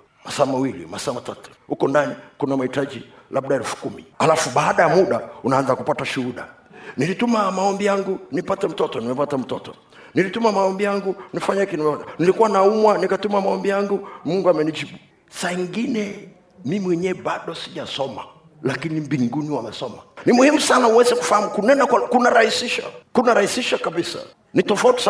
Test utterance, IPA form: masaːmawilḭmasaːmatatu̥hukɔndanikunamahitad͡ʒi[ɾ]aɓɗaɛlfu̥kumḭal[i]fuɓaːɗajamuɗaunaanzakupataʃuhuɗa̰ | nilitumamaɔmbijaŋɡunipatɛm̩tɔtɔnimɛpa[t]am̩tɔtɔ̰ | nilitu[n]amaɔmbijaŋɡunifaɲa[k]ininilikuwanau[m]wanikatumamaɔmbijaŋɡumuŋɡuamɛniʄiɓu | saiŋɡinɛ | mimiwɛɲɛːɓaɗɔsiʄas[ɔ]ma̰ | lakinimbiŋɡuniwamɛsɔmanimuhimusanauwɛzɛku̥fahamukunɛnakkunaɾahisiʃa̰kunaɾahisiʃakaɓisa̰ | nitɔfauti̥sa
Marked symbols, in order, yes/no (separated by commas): no, no, yes, no, yes, yes, yes